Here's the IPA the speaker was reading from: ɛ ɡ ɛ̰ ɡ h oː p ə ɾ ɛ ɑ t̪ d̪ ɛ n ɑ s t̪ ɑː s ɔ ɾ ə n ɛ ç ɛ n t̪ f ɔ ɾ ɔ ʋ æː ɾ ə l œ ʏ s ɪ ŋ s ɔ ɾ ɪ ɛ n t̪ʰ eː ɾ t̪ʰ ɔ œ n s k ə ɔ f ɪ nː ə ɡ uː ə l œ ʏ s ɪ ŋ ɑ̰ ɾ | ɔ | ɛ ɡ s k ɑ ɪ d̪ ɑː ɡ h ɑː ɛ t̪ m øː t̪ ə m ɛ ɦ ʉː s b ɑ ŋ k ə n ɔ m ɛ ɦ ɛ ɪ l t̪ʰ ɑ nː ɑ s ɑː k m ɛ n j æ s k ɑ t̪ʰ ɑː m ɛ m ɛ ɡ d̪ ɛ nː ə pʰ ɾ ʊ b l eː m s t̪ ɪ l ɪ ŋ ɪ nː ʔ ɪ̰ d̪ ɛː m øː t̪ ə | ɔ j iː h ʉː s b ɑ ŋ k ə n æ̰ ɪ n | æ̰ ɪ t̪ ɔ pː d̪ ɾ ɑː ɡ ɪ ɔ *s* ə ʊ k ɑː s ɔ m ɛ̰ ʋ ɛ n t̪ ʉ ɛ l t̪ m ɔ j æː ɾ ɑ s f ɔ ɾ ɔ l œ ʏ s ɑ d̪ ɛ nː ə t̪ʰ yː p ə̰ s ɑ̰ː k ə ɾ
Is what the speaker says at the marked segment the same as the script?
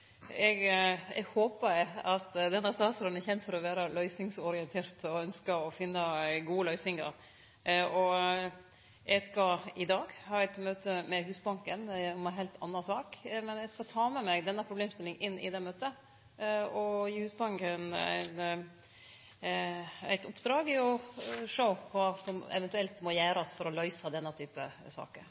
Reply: no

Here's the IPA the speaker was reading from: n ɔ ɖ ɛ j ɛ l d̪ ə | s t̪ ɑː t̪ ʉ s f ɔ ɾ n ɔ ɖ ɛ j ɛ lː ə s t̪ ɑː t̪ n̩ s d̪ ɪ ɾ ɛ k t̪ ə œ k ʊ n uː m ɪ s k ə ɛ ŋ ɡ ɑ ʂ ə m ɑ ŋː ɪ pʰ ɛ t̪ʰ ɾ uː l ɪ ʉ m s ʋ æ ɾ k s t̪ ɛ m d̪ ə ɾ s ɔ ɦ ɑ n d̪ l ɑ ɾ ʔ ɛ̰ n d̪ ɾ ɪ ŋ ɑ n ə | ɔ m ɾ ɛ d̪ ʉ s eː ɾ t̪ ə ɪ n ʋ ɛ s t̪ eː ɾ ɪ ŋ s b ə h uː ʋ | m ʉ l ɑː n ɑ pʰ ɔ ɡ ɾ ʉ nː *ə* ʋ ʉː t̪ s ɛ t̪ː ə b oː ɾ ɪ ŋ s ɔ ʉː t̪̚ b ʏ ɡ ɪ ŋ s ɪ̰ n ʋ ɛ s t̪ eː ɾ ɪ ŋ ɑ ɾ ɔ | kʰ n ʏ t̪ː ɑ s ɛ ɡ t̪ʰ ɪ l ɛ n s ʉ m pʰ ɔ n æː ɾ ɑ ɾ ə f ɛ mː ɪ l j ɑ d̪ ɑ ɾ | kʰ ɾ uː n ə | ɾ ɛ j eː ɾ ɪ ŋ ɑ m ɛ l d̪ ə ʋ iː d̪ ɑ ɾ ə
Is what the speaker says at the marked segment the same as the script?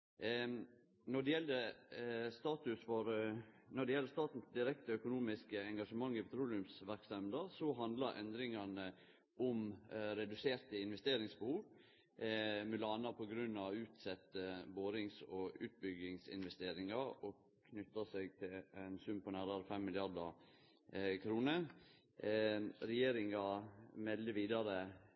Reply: no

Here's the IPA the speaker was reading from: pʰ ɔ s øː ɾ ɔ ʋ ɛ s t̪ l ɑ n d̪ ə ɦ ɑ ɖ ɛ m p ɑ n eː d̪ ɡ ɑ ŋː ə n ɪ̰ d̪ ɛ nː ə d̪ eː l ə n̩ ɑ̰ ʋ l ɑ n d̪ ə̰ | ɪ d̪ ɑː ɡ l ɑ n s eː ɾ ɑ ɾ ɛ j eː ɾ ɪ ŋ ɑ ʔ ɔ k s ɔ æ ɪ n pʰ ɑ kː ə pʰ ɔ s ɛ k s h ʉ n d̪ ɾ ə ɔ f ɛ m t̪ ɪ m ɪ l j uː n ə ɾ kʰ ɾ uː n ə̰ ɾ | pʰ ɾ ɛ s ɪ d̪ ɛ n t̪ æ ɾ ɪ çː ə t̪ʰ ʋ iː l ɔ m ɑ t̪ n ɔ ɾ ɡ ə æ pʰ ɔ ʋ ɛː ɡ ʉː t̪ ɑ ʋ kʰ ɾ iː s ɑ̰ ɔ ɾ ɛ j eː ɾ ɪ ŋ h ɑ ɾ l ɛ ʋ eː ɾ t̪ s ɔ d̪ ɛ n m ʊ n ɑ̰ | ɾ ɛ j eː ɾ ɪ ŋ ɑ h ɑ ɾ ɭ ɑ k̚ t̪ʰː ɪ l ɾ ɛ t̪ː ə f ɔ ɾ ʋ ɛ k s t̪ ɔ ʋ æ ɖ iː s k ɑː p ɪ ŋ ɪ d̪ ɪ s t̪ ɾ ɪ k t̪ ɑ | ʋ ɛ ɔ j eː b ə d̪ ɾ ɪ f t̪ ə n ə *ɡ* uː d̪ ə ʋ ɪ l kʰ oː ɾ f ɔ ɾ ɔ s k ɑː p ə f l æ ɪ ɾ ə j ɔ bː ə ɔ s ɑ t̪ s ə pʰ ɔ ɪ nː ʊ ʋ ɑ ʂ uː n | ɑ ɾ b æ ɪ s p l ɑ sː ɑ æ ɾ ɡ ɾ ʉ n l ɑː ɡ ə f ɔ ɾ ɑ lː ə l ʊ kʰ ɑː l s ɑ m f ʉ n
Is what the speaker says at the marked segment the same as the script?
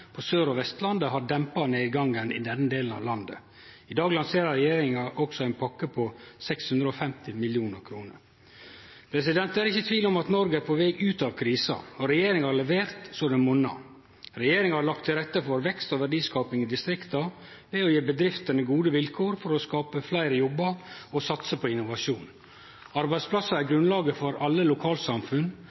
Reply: yes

